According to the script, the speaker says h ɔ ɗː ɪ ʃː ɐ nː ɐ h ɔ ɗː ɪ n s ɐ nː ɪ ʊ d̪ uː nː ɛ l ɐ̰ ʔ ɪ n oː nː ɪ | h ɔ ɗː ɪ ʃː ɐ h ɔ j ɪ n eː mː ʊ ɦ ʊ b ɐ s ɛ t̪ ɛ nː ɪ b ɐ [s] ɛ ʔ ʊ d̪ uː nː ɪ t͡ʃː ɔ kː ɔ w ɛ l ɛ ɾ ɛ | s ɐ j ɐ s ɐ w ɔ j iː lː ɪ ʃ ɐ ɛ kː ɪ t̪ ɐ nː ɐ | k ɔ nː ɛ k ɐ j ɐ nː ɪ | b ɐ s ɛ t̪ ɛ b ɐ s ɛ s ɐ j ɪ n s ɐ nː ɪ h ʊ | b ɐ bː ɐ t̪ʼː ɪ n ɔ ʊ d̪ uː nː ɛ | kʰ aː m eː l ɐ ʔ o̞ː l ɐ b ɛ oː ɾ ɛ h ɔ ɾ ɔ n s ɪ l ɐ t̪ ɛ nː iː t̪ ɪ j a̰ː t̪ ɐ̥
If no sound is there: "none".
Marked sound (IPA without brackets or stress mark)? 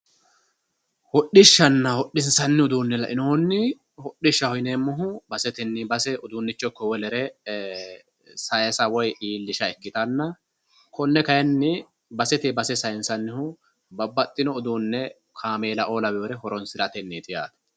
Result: s